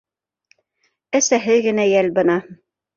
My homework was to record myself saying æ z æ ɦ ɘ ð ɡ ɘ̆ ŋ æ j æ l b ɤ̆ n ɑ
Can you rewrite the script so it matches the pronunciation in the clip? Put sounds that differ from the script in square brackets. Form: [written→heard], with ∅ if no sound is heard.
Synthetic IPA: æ [z→s] æ ɦ ɘ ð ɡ ɘ̆ [ŋ→n] æ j æ l b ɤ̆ n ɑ

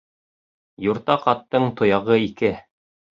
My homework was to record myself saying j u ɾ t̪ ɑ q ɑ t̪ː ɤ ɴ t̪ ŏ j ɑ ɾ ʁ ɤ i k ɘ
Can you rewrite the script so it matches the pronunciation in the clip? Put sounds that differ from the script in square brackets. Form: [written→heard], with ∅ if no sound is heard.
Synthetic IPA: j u ɾ t̪ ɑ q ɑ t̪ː ɤ ɴ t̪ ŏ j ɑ [ɾ→∅] ʁ ɤ i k ɘ

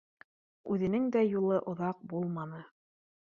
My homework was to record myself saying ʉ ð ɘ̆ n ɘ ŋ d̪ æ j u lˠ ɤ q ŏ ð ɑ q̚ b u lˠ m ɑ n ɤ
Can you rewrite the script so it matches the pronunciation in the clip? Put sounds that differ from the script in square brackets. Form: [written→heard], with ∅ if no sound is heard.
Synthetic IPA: ʉ ð ɘ̆ n ɘ ŋ d̪ æ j u lˠ ɤ [q→ʔ] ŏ ð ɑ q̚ b u lˠ m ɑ n ɤ

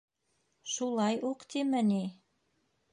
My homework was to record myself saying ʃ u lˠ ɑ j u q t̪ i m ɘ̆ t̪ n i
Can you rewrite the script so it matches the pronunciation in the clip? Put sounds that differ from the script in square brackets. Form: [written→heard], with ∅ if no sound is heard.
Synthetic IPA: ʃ u lˠ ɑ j u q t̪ i m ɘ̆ [t̪→∅] n i

